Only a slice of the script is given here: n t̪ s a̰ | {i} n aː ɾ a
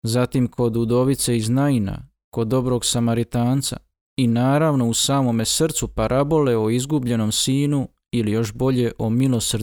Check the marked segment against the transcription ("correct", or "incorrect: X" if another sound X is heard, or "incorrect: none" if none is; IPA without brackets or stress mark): correct